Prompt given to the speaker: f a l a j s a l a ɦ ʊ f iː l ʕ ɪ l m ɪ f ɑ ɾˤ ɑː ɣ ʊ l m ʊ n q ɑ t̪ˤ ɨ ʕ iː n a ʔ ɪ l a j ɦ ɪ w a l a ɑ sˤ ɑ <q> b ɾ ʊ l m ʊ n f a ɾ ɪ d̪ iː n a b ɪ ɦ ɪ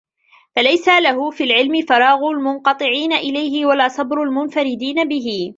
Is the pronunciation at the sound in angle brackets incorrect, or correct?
incorrect